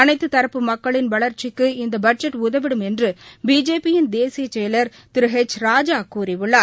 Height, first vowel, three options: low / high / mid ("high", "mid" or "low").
low